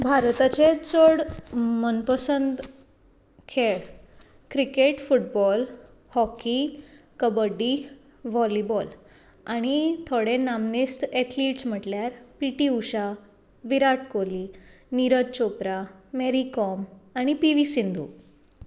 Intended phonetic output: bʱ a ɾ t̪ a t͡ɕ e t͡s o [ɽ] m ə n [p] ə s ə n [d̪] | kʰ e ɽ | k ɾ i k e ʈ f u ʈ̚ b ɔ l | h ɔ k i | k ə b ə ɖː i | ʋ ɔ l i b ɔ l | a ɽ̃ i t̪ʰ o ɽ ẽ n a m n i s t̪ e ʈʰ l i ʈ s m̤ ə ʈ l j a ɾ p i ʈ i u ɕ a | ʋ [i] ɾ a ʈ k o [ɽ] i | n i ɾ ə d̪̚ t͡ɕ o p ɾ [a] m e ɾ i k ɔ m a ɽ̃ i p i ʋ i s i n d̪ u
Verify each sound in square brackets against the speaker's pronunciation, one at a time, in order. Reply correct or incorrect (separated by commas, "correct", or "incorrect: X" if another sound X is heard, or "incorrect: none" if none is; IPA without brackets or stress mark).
correct, correct, correct, correct, incorrect: l, correct